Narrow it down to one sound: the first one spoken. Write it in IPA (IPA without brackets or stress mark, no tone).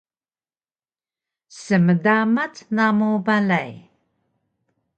s